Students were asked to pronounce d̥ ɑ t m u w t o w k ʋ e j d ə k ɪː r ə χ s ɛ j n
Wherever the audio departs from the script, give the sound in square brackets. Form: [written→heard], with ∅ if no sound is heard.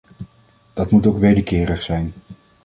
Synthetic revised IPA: d̥ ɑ t m u [w→∅] t o w k ʋ e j d ə k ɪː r ə χ s ɛ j n